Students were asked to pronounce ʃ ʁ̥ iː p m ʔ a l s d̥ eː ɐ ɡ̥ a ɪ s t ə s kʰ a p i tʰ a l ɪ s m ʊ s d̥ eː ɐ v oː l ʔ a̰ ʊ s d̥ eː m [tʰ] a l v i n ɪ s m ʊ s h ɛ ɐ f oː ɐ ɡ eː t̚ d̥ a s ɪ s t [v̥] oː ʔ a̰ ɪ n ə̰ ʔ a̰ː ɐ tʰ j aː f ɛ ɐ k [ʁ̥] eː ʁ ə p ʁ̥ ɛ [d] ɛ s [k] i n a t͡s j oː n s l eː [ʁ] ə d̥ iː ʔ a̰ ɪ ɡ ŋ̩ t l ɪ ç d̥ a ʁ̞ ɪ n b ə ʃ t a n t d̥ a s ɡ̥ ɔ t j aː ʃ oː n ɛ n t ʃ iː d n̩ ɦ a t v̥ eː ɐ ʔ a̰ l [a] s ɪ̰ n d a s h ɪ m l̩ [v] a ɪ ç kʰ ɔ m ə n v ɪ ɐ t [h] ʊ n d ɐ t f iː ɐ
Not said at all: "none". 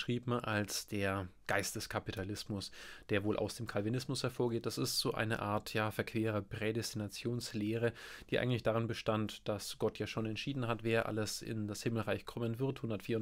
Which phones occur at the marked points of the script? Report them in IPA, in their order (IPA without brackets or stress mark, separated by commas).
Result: kʰ, z̥, v̥, d, t, ʁ, ə, ʁ, h